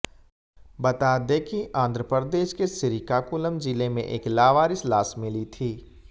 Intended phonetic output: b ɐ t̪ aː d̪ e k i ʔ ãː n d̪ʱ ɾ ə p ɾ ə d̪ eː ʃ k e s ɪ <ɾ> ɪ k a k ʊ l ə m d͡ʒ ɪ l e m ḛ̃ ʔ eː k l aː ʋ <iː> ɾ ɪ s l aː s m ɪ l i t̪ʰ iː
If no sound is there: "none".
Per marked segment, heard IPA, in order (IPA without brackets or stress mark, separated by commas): ɾ, aː